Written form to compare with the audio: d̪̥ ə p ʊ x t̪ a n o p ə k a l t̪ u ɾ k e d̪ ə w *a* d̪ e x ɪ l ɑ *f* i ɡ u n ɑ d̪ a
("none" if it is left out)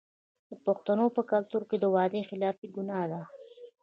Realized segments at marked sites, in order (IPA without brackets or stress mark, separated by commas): ɑ, f